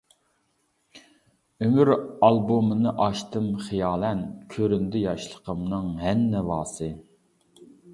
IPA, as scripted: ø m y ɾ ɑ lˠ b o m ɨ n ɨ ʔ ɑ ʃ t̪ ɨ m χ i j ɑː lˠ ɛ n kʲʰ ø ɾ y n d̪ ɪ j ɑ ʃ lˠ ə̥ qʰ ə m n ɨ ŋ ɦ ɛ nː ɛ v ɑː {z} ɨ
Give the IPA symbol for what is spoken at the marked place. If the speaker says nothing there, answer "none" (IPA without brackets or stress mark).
s